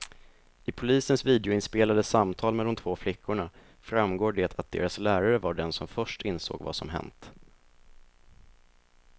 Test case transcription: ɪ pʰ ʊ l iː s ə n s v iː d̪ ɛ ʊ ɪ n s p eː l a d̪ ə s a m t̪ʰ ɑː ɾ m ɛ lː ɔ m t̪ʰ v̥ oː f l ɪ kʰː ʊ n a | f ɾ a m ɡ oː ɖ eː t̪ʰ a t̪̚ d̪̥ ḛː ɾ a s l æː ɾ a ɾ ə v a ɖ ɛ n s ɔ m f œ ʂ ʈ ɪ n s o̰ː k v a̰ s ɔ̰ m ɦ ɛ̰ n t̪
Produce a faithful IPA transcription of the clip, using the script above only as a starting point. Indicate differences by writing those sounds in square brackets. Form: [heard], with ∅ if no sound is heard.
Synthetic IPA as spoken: ɪ pʰ ʊ l iː s ə n s v iː d̪ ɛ ʊ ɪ n s p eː l a d̪ ə s a m t̪ʰ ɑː [l] m ɛ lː ɔ m t̪ʰ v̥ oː f l ɪ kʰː ʊ [ɳ] a | f ɾ a m ɡ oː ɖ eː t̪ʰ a t̪̚ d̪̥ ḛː ɾ a s l æː ɾ a ɾ ə v a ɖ ɛ n s ɔ m f œ ʂ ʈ ɪ n s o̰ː [ɡ] v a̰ s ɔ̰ m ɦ ɛ̰ n t̪

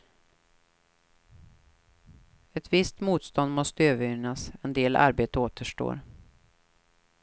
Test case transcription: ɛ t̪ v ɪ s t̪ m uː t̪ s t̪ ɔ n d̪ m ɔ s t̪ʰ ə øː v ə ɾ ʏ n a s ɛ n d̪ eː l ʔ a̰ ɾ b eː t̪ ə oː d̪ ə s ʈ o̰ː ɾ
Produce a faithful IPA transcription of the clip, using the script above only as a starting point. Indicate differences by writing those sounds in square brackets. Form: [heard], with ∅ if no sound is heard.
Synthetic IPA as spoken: ɛ t̪ v ɪ s t̪ m uː t̪ s t̪ ɔ n d̪ m ɔ s [t̪] ə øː v ə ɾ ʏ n a s ɛ n d̪ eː l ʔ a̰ ɾ b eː t̪ ə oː [t̪] ə [ʂ] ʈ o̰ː ɾ

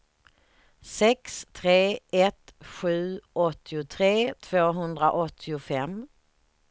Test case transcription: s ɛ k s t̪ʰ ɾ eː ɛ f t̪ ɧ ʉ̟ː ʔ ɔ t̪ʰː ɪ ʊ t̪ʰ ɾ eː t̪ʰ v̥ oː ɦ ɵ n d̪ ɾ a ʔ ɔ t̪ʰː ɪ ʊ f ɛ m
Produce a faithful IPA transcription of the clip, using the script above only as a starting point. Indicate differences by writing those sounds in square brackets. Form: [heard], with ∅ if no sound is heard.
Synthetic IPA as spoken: s ɛ k s t̪ʰ ɾ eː ɛ [∅] t̪ ɧ ʉ̟ː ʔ ɔ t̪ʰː ɪ ʊ t̪ʰ ɾ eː t̪ʰ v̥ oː ɦ ɵ n d̪ ɾ a ʔ ɔ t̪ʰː ɪ ʊ f ɛ m

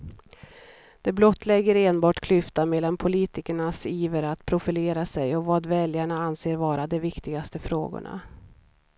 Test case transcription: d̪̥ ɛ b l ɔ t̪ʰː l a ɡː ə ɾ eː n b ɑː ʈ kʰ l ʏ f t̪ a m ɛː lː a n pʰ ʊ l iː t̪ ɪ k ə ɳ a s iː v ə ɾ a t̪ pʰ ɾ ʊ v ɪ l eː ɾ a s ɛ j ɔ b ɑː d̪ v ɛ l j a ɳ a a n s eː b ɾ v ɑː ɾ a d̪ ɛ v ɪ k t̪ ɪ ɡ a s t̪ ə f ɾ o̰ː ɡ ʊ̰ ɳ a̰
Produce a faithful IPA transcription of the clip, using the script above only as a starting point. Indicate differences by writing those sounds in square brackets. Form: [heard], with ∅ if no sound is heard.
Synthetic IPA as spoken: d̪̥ ɛ b l ɔ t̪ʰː l [ɛ] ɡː ə ɾ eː n b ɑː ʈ kʰ l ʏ f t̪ a m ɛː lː a n pʰ ʊ l iː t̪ ɪ k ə ɳ a s iː v ə ɾ a t̪ pʰ ɾ ʊ [f] ɪ l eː ɾ a s ɛ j ɔ [v] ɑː d̪ v ɛ l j a ɳ a a n s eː [∅] ɾ v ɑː ɾ a d̪ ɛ v ɪ k t̪ ɪ ɡ a s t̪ ə f ɾ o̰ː ɡ ʊ̰ ɳ a̰

